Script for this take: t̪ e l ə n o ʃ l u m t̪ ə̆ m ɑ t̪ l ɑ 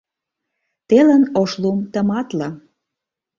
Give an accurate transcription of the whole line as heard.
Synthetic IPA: t̪ e l ə n o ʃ l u m t̪ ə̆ m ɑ t̪ l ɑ

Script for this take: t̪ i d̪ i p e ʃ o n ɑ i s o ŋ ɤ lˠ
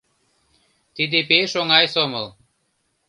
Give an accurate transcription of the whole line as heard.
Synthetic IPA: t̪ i d̪ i p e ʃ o ŋ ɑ j s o m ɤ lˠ

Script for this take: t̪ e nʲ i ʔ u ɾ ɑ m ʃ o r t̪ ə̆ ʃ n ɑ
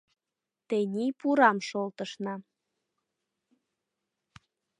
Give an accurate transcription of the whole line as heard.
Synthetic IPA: t̪ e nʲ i p u ɾ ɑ m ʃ o l t̪ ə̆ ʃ n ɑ

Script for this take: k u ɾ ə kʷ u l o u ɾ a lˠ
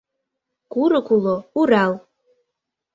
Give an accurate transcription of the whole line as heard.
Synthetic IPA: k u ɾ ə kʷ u l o u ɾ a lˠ

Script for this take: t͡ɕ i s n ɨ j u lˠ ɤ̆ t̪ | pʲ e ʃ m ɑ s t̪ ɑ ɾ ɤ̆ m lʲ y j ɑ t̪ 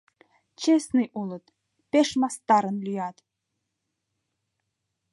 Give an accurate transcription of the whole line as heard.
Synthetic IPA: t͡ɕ e s n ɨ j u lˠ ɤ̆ t̪ | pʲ e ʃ m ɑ s t̪ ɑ ɾ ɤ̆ n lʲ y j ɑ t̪

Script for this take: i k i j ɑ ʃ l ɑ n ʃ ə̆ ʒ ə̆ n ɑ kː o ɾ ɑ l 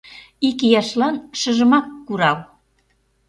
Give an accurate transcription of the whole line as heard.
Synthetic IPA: i k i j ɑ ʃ l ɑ n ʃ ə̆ ʒ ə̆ m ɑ kː u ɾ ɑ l

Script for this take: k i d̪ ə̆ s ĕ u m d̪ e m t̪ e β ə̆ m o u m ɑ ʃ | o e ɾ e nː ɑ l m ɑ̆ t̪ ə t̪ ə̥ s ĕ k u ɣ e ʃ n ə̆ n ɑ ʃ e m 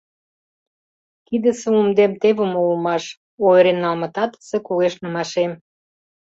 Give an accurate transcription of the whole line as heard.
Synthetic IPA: k i d̪ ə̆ s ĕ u m d̪ e m t̪ e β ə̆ m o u m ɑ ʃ | o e ɾ e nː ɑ l m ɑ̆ t̪ ɑ t̪ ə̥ s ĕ k u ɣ e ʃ n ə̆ m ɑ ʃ e m

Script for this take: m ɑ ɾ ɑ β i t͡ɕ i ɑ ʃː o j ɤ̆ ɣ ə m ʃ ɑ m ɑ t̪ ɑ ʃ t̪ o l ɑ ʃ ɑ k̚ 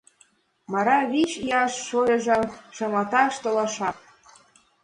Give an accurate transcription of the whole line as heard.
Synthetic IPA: m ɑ ɾ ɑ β i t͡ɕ i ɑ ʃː o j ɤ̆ ʒ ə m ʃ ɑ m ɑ t̪ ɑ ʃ t̪ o l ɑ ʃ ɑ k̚

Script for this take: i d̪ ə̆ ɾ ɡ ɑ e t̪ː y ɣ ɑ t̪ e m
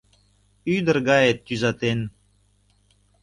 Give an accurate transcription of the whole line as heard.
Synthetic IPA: y d̪ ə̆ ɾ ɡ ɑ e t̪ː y z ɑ t̪ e n

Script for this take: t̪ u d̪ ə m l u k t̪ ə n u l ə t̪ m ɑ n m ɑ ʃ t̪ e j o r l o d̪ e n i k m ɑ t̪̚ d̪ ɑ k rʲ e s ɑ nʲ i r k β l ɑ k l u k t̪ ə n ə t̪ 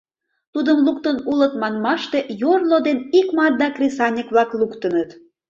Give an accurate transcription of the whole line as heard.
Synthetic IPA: t̪ u d̪ ə m l u k t̪ ə n u l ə t̪ m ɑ n m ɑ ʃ t̪ e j o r l o d̪ e n i k m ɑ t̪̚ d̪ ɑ k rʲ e s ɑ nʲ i k β l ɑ k l u k t̪ ə n ə t̪

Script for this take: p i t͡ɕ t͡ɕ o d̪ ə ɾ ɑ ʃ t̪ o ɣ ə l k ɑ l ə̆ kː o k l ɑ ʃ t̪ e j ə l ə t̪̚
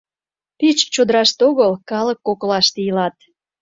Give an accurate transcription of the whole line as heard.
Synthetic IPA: p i t͡ɕ t͡ɕ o d̪ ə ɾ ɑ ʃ t̪ o ɣ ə l k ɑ l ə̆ kː o k l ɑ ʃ t̪ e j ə l ɑ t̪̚

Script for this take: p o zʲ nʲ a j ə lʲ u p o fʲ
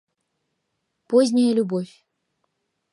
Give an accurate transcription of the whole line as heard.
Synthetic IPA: p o zʲ nʲ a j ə lʲ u b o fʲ

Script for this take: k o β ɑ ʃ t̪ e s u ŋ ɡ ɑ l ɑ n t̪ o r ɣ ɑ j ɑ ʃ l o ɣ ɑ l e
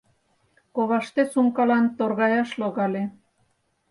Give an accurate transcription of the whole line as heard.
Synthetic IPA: k o β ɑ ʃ t̪ e s u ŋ k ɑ l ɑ n t̪ o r ɣ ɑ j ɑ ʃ l o ɣ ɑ l e

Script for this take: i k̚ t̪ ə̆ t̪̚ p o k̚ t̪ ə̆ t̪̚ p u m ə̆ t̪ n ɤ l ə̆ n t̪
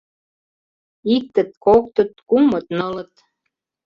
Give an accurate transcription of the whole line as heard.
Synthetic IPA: i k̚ t̪ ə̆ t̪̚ k o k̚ t̪ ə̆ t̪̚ k u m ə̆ t̪ n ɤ l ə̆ t̪

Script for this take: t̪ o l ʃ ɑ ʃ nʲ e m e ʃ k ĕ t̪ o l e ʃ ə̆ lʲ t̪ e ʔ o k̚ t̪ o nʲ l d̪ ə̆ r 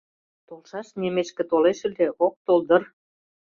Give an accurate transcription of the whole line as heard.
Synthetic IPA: t̪ o l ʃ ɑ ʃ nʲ e m e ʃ k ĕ t̪ o l e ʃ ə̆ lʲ d̪ e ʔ o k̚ t̪ o l d̪ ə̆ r

